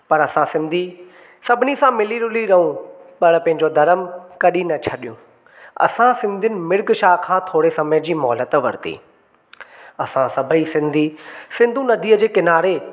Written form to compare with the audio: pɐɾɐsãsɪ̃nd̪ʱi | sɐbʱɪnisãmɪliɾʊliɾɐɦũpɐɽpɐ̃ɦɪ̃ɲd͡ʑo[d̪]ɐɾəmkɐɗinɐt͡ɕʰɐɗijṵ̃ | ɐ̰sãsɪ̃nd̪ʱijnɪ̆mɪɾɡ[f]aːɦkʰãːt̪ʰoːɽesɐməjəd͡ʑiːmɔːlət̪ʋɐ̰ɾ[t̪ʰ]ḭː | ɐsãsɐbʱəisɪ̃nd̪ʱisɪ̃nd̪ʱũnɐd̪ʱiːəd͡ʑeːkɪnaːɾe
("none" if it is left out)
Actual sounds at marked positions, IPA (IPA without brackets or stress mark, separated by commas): d̪, ʃ, t̪